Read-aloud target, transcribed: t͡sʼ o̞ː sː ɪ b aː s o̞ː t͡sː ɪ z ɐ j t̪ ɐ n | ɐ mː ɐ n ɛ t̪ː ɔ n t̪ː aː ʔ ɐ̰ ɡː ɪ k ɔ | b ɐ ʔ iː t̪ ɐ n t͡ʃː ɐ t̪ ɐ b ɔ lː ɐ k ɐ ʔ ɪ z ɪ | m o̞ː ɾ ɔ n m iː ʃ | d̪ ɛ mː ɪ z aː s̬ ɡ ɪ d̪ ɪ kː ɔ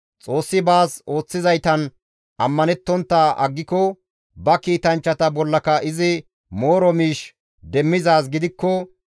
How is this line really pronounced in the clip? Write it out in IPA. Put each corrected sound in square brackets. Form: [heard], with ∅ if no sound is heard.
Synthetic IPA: t͡sʼ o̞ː sː ɪ b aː s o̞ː t͡sː ɪ z ɐ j t̪ ɐ n | ɐ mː ɐ n ɛ t̪ː ɔ n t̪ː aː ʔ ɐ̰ ɡː ɪ k ɔ | b ɐ [k] iː t̪ ɐ n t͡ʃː ɐ t̪ ɐ b ɔ lː ɐ k ɐ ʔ ɪ z ɪ | m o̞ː ɾ ɔ [∅] m iː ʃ | d̪ ɛ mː ɪ z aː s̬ ɡ ɪ d̪ ɪ kː ɔ